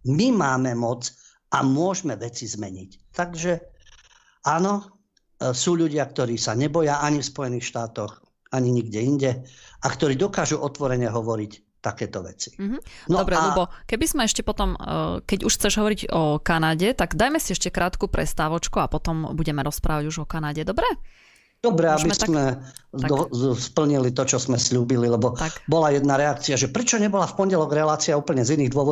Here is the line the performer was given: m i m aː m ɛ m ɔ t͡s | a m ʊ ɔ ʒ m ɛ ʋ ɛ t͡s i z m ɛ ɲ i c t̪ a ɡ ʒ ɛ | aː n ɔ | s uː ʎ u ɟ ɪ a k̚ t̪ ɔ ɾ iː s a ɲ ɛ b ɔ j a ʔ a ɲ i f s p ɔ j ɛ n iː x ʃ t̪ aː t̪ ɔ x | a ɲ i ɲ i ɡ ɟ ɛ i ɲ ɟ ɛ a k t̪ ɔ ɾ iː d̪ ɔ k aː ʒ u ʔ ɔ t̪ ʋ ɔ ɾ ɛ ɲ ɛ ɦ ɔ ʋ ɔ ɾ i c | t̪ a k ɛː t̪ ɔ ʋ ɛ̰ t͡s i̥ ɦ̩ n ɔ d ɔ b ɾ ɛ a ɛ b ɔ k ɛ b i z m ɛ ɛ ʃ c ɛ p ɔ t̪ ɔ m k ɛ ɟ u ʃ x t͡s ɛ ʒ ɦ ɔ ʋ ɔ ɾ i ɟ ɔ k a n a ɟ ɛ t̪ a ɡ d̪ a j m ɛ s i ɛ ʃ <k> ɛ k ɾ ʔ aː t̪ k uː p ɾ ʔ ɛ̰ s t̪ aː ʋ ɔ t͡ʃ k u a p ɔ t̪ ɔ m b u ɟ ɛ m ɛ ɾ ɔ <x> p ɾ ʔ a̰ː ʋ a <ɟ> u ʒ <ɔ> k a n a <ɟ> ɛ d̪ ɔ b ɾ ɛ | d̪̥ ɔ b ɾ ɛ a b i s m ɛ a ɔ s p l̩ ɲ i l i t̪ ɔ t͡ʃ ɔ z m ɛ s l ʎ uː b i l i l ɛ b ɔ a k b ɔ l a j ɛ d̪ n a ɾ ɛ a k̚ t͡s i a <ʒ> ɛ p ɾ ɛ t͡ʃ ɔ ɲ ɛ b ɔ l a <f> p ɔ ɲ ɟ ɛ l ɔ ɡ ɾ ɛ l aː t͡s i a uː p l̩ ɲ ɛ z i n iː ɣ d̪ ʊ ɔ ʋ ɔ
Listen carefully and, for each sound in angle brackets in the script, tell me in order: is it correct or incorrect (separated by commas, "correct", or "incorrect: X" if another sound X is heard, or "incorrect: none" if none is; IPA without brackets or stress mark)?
incorrect: c, incorrect: s, correct, correct, correct, correct, correct